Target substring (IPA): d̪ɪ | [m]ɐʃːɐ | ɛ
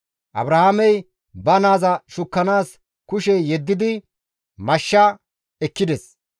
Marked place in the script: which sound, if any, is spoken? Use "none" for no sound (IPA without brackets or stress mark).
m